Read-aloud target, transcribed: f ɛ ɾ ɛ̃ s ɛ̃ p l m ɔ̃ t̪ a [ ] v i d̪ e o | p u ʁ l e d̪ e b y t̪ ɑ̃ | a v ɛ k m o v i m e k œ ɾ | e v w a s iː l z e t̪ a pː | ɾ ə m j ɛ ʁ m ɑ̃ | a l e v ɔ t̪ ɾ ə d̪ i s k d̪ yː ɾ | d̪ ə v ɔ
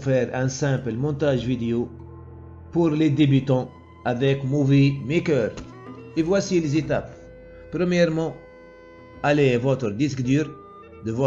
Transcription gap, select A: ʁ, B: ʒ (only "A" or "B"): B